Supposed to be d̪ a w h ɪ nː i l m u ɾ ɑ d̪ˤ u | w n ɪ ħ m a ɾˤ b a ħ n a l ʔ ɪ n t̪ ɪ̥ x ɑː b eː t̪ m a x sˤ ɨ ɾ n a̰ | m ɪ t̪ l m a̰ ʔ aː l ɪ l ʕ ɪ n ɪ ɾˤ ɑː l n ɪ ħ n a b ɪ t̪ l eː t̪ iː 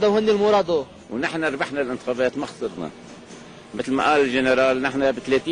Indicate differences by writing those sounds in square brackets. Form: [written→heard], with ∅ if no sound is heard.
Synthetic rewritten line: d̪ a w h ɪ nː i l m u ɾ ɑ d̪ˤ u | w n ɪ ħ [m→n] a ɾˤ b a ħ n a l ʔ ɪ n t̪ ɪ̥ x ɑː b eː t̪ m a x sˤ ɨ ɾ n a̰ | m ɪ t̪ l m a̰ ʔ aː l ɪ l [ʕ→ʒ] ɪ n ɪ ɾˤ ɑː l n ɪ ħ n a b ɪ t̪ l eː t̪ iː